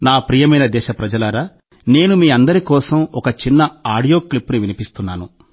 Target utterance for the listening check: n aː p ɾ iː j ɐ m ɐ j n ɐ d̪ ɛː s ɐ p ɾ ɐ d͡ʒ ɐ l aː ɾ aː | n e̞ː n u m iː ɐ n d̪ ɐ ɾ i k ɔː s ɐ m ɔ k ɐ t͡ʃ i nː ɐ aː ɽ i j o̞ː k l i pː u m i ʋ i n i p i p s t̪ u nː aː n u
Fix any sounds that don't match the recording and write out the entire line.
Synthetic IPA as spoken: n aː p ɾ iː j ɐ m ɐ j n ɐ d̪ ɛː ʃ ɐ p ɾ ɐ d͡ʒ ɐ l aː ɾ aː | n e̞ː n u m iː ɐ n d̪ ɐ ɾ i k ɔː s ɐ m ɔ k ɐ t͡ʃ i nː ɐ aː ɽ i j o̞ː k l i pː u n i ʋ i n i p i s t̪ u nː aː n u